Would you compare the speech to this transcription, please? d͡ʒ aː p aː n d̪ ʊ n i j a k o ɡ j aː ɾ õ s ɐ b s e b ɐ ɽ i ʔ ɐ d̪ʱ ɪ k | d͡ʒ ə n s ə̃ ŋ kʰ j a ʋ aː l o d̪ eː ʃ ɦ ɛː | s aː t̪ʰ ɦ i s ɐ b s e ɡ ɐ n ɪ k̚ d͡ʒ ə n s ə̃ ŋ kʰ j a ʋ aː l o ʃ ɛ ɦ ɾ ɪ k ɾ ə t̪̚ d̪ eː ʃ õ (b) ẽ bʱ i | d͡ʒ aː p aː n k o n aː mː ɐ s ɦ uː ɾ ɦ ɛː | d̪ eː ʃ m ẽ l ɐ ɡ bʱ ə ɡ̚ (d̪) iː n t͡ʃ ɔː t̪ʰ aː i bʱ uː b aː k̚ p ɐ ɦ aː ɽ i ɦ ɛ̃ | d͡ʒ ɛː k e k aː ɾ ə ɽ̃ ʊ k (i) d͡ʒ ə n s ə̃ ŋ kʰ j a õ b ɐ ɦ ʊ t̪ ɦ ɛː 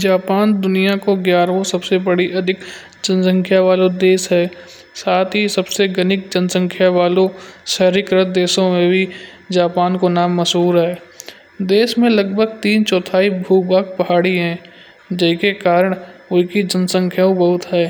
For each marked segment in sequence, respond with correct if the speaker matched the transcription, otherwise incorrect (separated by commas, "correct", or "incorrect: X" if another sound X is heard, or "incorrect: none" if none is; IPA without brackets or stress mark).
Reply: incorrect: m, incorrect: t̪, correct